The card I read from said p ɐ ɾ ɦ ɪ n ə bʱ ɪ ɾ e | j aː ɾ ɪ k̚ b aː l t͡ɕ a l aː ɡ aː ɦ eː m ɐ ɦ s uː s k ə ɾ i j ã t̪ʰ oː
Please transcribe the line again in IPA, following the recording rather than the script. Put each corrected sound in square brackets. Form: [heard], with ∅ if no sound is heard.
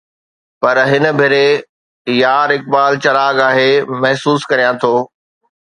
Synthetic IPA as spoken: p ɐ ɾ ɦ ɪ n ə bʱ ɪ ɾ e | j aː ɾ ɪ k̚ b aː l t͡ɕ [ɐ] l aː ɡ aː ɦ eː m ɐ ɦ s uː s k [ɐ] ɾ i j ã t̪ʰ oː